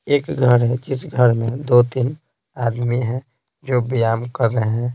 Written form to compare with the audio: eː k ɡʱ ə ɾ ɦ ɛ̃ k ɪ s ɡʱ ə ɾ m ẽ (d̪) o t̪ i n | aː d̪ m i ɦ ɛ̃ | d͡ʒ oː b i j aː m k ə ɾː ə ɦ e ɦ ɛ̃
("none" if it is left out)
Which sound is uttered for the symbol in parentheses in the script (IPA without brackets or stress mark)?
d̪